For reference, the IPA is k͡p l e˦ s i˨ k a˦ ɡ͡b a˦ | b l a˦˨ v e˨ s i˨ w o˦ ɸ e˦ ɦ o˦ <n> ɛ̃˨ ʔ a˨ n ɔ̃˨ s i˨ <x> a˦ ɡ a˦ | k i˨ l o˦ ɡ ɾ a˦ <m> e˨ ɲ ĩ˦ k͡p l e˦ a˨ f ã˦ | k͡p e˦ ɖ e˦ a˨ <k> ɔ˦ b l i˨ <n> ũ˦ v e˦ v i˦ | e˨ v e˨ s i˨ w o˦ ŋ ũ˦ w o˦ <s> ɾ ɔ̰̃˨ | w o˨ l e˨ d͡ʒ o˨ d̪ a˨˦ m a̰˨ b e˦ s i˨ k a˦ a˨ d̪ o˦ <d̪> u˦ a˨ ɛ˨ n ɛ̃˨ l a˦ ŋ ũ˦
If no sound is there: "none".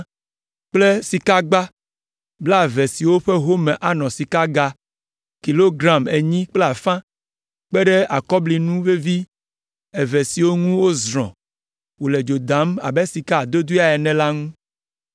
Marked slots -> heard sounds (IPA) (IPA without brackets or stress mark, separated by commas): m, k, m, k, n, z, d̪